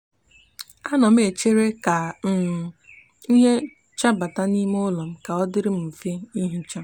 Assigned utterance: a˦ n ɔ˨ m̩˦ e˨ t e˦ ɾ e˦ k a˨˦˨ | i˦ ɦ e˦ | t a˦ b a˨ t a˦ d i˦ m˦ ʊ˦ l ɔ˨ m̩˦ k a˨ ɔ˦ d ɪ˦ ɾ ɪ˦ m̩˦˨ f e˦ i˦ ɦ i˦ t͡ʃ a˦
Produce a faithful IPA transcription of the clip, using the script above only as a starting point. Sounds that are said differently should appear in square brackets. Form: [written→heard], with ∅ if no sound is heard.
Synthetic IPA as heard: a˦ n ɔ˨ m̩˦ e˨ [t→t͡ʃ] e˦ ɾ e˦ k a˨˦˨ | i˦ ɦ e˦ | [t→t͡ʃ] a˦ b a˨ t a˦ [d→n] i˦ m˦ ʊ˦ l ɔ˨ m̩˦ k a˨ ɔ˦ d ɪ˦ ɾ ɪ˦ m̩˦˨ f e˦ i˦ ɦ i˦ t͡ʃ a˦